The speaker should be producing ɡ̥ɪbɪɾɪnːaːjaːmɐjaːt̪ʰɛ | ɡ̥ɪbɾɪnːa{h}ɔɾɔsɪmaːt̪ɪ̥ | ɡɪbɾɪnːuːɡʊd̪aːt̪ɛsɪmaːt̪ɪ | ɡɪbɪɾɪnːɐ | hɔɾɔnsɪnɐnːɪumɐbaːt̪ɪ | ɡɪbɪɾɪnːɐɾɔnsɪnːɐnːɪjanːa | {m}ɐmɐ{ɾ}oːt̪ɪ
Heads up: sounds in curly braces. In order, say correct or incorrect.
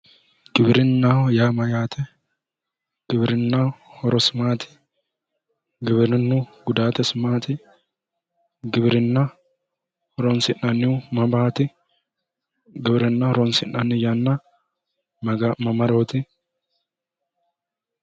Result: correct, correct, correct

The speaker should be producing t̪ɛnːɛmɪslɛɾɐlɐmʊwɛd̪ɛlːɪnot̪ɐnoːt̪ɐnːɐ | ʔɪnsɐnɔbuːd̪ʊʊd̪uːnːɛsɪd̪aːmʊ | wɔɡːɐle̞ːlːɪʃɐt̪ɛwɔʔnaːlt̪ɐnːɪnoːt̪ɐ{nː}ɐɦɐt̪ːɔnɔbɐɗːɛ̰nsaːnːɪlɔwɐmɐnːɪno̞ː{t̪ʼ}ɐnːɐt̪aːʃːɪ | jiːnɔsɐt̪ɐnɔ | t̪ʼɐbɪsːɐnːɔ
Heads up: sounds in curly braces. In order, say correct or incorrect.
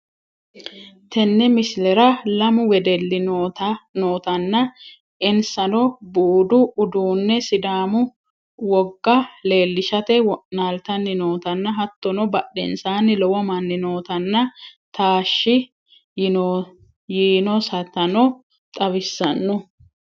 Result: correct, incorrect: t̪

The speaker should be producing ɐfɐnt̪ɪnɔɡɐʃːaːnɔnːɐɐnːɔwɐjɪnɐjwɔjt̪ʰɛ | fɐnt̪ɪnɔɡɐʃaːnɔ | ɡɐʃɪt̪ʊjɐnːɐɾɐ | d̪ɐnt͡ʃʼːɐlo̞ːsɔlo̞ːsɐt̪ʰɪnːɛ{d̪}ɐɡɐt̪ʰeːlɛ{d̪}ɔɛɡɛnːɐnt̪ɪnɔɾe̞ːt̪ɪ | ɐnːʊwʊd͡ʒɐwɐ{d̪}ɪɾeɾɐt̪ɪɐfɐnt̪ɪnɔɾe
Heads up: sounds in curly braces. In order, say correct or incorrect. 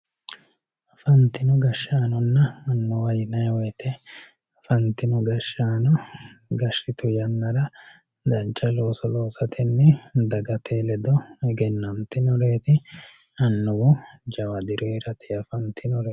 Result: correct, correct, correct

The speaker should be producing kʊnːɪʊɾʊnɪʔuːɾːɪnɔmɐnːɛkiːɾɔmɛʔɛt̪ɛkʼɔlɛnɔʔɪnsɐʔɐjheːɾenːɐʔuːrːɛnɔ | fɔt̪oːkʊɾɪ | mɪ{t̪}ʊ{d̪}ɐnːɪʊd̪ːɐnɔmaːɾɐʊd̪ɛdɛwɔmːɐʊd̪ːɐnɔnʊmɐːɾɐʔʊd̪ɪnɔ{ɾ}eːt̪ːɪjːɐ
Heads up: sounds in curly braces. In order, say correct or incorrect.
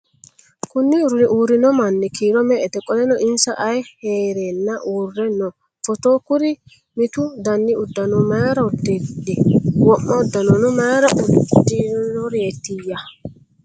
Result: correct, correct, correct

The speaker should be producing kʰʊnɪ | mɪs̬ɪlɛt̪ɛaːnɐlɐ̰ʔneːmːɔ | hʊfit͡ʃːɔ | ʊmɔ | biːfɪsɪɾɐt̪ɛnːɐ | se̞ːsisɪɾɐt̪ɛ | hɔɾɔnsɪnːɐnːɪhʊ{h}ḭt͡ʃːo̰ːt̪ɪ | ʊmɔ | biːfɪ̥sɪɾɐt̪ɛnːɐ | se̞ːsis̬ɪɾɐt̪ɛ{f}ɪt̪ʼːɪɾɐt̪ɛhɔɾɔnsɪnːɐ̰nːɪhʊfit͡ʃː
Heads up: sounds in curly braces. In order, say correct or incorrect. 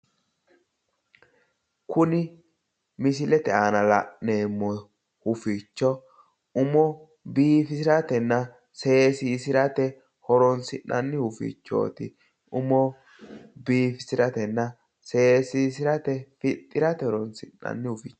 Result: incorrect: f, correct

